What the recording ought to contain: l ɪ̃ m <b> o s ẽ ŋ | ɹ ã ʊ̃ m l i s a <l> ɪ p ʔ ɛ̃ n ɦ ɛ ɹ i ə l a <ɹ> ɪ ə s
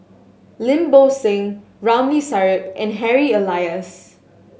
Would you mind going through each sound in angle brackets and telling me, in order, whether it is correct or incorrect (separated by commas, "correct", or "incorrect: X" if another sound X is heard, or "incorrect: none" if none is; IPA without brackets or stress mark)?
correct, incorrect: ɹ, incorrect: none